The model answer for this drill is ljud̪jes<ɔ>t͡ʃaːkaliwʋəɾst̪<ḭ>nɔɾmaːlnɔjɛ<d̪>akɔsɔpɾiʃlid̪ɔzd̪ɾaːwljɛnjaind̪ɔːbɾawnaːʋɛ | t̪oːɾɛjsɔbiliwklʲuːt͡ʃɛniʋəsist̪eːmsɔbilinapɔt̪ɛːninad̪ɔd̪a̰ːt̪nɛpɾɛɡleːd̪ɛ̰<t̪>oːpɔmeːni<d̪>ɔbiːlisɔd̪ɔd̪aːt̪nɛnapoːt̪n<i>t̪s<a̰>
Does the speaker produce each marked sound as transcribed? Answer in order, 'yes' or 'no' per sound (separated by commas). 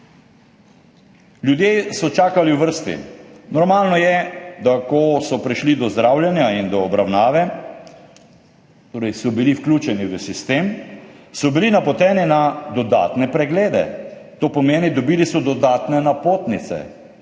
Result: yes, yes, yes, yes, yes, yes, no